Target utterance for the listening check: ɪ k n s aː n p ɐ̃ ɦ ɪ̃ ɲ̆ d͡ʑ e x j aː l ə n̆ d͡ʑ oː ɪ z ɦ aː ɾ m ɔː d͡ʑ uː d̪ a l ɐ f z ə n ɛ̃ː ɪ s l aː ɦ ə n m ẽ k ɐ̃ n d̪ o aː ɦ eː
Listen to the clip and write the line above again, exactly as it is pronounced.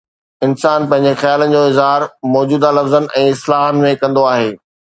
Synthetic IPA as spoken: ɪ n s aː n p ɐ̃ ɦ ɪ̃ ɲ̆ d͡ʑ e x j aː l ə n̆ d͡ʑ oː ɪ z ɦ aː ɾ m ɔː d͡ʑ uː d̪ a l ɐ f z ə n ɛ̃ː ɪ s l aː ɦ ə n m ẽ k ɐ̃ n d̪ o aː ɦ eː